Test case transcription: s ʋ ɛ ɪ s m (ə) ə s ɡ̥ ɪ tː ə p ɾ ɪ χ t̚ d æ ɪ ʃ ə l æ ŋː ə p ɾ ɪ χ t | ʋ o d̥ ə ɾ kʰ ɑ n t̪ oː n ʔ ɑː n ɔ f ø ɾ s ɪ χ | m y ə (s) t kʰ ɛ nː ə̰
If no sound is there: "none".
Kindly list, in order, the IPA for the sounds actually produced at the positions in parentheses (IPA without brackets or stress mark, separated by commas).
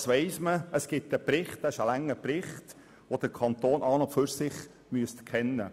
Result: ə, s